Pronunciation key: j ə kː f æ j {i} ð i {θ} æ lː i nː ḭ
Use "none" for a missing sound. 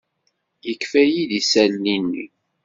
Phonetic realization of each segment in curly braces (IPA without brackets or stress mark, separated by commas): i, s